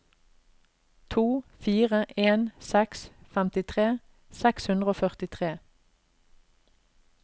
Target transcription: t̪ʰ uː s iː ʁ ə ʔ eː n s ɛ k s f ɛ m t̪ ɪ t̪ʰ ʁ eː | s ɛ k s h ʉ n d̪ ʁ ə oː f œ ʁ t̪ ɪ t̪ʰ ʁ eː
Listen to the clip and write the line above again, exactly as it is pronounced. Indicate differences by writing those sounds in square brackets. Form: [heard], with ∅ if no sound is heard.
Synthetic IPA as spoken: t̪ʰ uː [f] iː ʁ ə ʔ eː n s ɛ k s f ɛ m t̪ ɪ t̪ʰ ʁ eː | s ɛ k s h ʉ n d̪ ʁ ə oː f œ ʁ t̪ ɪ t̪ʰ ʁ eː